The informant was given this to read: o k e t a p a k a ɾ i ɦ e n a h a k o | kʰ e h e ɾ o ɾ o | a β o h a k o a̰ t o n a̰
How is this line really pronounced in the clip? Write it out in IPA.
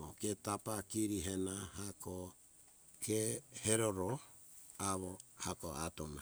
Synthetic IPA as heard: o k e t a p a k i ɾ i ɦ e n a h a k o | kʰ e h e ɾ o ɾ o | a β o h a k o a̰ t o n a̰